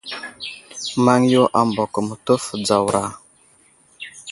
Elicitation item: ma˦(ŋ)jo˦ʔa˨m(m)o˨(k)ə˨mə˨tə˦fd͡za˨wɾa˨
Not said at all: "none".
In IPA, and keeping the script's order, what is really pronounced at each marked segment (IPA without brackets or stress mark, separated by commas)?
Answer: ŋ, b, k